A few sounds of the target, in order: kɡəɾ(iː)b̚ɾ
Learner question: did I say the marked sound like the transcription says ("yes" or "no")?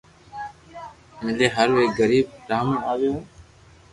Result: yes